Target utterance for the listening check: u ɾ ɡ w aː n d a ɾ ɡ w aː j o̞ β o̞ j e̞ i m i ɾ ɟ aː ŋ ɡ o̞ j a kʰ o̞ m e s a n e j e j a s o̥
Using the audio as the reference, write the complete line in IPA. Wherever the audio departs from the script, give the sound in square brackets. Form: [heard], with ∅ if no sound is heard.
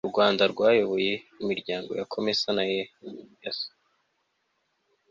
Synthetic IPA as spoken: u ɾ ɡ w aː n d a ɾ ɡ w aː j o̞ β o̞ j e̞ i m i ɾ ɟ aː ŋ ɡ o̞ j a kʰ o̞ m e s a n [a] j e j a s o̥